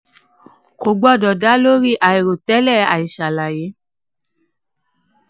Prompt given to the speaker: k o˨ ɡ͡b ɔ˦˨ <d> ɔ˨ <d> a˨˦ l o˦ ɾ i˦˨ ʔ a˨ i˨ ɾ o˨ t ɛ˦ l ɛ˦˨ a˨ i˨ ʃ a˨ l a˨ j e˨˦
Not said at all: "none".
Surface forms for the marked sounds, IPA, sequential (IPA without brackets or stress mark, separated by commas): d, d